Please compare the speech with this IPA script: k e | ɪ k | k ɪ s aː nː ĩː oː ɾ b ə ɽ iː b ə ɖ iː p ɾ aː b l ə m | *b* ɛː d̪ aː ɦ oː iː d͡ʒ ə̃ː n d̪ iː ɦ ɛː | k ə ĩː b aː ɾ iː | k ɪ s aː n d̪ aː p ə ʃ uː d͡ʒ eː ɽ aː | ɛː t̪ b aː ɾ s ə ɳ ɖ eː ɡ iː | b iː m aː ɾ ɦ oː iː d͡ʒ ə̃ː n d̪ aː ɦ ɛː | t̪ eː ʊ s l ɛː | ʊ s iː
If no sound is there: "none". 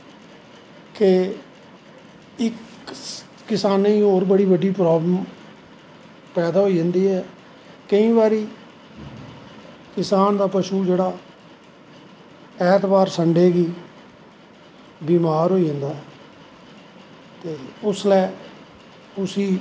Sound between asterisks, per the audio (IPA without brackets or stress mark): p